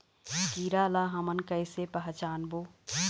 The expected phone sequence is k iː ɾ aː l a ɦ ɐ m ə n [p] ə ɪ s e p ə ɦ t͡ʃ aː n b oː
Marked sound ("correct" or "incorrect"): incorrect